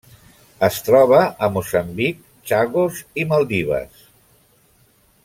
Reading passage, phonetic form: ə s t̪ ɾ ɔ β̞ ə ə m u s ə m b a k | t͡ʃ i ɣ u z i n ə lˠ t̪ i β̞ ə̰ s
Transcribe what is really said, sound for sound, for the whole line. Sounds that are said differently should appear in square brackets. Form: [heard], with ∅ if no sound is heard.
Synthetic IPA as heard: ə s t̪ ɾ ɔ β̞ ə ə m u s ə m b [i] k | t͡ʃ [a] ɣ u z i [m] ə lˠ [d̪] i β̞ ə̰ s